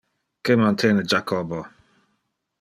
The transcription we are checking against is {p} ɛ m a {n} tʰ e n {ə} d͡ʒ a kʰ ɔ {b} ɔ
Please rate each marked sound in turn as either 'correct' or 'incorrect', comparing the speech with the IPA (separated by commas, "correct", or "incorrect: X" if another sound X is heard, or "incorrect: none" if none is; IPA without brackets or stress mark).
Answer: incorrect: k, correct, correct, correct